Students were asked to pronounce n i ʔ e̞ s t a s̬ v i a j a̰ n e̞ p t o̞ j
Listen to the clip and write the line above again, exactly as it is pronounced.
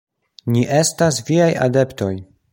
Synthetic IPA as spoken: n i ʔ e̞ s t a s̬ v i a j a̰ d e̞ p t o̞ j